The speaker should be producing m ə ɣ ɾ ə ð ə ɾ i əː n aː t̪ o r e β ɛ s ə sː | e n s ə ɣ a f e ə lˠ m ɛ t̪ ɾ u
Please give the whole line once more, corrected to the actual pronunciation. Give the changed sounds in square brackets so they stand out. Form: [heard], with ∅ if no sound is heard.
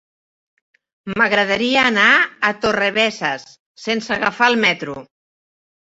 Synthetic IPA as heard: m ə ɣ ɾ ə ð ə ɾ i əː n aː t̪ o r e β ɛ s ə sː | e n s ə ɣ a f [a] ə lˠ m ɛ t̪ ɾ u